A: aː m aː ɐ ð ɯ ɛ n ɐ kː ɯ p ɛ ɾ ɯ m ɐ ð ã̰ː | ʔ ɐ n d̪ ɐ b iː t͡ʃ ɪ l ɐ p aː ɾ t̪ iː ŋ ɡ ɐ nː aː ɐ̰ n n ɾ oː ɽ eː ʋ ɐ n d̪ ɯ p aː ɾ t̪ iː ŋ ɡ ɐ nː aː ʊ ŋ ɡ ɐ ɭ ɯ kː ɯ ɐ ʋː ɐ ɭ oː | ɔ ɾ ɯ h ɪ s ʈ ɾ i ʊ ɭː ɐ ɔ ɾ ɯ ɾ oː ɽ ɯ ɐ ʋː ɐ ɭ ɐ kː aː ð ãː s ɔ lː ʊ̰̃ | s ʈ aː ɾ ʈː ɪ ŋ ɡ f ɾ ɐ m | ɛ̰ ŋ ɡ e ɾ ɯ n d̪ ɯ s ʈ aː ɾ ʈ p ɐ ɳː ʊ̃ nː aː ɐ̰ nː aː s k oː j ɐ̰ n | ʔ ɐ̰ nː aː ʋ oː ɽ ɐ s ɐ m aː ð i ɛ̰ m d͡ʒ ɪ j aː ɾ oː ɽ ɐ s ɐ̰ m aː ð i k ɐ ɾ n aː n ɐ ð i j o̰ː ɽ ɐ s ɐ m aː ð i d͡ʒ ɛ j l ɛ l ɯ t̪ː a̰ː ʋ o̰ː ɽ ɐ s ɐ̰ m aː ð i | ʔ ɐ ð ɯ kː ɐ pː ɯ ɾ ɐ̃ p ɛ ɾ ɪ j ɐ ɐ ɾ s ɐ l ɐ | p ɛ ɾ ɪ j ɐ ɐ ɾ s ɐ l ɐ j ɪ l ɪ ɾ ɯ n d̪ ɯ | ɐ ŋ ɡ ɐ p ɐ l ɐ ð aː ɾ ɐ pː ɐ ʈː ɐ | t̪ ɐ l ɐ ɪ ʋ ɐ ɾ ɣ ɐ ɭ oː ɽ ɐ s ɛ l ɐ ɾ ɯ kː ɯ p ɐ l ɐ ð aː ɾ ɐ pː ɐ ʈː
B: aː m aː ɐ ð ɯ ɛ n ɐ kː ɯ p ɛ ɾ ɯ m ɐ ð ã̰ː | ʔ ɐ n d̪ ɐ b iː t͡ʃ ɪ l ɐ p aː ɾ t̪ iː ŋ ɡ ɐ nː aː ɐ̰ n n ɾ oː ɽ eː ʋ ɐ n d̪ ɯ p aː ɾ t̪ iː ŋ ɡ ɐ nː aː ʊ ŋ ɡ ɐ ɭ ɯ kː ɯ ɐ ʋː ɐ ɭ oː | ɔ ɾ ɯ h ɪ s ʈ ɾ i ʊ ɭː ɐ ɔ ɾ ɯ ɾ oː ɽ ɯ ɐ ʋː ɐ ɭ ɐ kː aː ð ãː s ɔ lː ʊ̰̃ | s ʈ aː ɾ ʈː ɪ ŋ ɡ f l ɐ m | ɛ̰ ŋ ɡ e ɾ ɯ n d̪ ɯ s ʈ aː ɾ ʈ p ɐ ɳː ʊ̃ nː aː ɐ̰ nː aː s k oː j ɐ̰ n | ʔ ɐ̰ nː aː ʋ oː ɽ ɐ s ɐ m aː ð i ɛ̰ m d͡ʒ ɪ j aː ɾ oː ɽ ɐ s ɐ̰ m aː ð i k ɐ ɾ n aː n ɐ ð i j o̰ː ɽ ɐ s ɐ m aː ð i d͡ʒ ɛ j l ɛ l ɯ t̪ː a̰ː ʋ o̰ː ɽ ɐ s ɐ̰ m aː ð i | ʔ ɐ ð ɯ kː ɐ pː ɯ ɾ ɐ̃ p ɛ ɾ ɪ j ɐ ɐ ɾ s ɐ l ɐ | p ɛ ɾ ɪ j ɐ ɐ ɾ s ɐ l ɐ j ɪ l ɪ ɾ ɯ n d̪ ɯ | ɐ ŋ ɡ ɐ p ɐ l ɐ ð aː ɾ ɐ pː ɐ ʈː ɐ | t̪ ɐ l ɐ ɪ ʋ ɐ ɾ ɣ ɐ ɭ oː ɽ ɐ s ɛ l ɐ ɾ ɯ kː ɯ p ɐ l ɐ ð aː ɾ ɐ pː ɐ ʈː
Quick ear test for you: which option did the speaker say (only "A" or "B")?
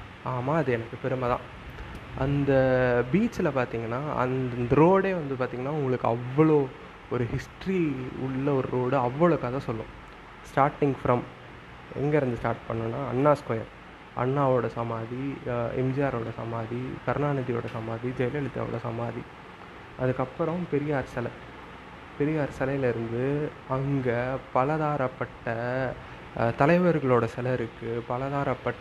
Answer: A